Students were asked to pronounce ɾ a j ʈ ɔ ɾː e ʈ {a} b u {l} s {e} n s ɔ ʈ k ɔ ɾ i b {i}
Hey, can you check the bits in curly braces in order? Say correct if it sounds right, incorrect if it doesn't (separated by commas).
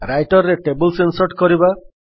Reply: incorrect, correct, correct, incorrect